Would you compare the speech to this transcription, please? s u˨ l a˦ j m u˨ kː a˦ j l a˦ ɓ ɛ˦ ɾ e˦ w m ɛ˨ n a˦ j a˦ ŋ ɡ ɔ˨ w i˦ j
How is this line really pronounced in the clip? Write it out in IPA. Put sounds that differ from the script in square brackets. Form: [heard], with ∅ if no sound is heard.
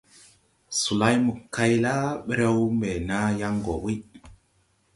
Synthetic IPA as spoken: s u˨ l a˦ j m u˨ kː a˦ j l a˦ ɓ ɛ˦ ɾ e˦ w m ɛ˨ n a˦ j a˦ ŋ ɡ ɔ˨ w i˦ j